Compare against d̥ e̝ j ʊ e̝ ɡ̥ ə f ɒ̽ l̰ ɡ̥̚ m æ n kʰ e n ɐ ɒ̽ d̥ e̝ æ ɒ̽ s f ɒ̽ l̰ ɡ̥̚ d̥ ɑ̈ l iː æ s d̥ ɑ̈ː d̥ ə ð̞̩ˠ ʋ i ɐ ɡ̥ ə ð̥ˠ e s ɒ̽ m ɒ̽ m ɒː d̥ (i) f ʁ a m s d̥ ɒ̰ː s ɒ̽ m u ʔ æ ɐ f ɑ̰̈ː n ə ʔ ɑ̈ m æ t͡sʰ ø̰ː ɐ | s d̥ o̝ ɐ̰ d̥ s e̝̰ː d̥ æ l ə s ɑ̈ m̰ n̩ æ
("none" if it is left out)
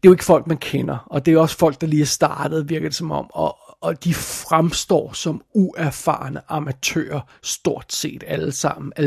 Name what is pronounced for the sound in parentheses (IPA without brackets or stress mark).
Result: i